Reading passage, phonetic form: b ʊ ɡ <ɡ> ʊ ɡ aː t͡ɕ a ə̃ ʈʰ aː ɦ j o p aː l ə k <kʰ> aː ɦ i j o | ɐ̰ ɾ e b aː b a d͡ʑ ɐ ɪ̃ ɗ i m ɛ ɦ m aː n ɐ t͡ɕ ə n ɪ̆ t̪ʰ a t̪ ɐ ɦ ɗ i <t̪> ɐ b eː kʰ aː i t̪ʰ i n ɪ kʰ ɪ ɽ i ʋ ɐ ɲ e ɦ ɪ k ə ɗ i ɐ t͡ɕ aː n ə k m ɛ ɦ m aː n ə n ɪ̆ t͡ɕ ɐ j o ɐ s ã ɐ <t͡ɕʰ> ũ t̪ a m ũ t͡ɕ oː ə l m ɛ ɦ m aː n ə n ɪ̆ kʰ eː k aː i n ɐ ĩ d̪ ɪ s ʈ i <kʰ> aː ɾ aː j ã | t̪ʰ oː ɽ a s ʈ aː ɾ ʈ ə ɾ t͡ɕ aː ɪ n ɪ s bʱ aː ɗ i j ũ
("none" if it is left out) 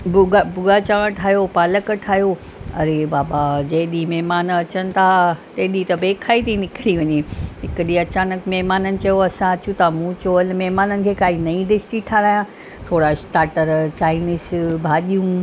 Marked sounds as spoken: b, ʈʰ, t̪, t͡ɕ, ʈʰ

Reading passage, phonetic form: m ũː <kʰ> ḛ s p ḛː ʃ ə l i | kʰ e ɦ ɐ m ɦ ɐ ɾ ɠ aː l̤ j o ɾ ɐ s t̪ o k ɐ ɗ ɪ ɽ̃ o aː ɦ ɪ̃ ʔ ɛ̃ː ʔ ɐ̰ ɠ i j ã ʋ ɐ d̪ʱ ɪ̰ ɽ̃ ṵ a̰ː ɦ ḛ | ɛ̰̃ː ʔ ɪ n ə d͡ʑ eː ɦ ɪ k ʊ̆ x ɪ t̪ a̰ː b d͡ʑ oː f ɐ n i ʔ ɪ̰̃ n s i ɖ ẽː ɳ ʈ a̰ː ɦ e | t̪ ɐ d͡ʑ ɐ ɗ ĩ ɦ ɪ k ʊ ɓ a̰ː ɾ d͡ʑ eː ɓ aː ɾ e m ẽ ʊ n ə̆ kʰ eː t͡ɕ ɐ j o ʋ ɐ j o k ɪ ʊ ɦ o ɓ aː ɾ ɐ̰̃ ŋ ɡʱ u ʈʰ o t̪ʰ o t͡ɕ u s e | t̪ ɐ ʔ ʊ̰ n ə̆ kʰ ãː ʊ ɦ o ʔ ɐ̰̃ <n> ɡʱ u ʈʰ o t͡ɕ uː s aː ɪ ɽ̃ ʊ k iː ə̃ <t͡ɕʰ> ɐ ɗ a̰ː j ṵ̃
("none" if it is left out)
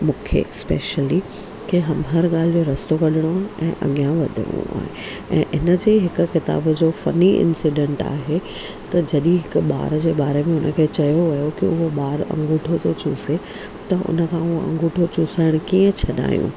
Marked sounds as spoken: kʰ, ŋ, t͡ɕʰ

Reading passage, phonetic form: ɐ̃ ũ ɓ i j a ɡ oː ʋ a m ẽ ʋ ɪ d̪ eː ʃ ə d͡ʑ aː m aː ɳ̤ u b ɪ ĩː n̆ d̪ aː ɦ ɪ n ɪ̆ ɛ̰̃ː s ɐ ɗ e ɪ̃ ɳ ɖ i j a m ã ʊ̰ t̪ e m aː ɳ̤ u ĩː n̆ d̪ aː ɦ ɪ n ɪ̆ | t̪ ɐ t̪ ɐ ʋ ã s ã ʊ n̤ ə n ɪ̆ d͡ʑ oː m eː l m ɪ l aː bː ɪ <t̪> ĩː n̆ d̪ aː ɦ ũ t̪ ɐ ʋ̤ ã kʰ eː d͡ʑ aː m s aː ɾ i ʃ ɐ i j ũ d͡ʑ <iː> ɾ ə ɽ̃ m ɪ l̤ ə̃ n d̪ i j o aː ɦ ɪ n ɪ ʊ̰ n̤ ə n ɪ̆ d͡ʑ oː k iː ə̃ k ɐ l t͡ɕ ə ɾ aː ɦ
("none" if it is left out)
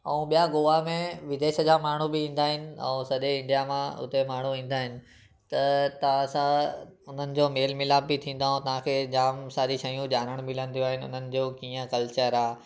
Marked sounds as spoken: t̪ʰ, aː

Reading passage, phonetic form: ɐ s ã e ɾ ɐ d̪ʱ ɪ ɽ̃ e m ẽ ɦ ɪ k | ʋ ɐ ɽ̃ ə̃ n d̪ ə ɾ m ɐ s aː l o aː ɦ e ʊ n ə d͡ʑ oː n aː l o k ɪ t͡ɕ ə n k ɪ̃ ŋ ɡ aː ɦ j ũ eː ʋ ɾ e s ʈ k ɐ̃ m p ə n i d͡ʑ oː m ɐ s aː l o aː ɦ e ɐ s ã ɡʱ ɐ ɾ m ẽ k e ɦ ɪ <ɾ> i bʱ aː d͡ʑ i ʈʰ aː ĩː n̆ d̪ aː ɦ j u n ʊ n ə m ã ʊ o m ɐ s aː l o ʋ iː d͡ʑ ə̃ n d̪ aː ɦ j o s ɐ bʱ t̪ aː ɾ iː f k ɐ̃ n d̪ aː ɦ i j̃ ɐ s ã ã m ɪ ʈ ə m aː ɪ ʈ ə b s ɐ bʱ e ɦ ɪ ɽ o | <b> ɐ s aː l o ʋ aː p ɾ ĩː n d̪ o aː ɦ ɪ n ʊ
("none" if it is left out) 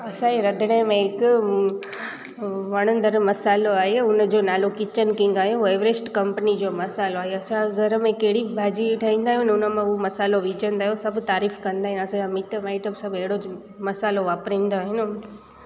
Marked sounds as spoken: ɽ, m

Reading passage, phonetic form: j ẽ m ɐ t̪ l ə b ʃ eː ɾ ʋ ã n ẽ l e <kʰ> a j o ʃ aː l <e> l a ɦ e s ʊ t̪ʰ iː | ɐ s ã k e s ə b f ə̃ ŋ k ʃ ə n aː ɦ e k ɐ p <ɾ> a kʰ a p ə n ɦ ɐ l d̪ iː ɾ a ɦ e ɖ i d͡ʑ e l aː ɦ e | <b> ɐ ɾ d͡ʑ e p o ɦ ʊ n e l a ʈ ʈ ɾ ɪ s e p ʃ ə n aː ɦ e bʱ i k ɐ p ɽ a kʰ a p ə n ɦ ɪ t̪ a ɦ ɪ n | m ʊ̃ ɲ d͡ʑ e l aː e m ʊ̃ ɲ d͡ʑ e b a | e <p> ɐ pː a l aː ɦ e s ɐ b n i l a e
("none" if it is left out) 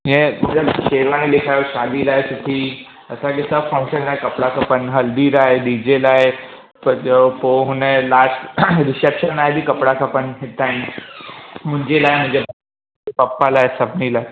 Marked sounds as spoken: kʰ, i, ɽ, p, p

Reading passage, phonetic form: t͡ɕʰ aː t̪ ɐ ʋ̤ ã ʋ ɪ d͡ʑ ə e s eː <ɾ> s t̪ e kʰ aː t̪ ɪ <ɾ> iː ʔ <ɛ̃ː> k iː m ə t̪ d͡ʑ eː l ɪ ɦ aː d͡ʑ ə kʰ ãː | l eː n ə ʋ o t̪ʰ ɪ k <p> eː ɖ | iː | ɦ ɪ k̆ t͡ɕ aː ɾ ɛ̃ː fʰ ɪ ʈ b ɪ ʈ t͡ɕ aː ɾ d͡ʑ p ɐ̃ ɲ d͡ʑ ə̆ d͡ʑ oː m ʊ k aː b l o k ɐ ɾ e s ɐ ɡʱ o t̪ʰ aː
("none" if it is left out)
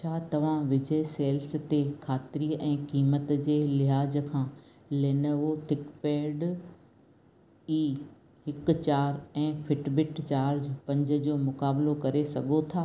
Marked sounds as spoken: l, ɾ, ɛ̃ː, p

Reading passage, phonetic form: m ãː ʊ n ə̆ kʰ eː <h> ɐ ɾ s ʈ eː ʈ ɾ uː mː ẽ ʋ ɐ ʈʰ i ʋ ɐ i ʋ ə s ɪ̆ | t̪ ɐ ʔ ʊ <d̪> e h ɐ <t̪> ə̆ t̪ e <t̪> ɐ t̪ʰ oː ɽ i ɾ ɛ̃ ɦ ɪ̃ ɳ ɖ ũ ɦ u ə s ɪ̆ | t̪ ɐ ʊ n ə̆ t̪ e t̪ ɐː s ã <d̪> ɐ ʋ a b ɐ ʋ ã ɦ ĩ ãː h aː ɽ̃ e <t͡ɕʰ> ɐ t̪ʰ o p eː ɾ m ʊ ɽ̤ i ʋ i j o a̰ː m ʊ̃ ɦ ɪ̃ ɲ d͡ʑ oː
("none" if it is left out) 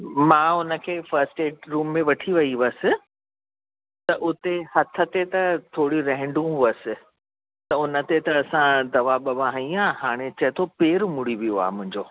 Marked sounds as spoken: f, t̪, t̪ʰ, t̪, d̪, t͡ɕ

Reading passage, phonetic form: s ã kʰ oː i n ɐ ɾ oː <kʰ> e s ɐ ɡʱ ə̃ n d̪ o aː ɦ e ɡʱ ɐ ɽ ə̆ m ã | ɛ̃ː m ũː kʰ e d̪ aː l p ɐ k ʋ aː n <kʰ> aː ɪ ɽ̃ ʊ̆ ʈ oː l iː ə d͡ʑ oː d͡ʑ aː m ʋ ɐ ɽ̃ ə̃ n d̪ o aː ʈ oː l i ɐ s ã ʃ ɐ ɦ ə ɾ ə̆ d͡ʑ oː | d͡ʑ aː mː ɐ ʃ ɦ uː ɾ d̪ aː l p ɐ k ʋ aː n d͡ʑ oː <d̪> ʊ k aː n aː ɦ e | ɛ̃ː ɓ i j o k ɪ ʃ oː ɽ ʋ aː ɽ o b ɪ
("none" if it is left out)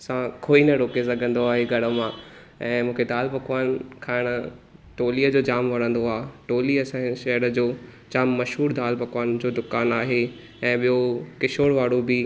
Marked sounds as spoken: k, kʰ, d̪

